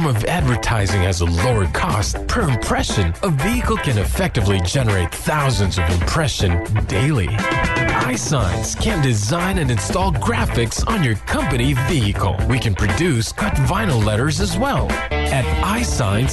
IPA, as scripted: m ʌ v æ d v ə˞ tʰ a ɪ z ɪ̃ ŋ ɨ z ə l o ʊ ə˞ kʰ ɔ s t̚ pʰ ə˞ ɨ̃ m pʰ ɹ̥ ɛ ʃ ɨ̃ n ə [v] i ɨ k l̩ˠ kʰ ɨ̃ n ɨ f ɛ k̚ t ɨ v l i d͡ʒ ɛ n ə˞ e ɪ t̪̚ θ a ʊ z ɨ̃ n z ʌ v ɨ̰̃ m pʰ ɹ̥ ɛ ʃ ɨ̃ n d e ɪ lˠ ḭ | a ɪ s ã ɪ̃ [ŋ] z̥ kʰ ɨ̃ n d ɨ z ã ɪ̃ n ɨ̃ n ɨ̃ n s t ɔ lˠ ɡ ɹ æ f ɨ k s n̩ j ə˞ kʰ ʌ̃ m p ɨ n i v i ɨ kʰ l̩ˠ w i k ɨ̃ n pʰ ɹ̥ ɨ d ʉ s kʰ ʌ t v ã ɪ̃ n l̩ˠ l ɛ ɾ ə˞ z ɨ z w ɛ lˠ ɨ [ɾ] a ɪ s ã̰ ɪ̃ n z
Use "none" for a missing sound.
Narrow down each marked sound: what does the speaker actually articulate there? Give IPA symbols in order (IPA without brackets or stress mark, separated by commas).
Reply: v, n, ɾ